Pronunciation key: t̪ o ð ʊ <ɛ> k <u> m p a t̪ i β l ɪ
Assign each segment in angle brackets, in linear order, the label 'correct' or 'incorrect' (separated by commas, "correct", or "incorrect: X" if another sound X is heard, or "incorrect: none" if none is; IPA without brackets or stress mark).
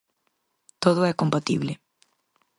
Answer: correct, incorrect: o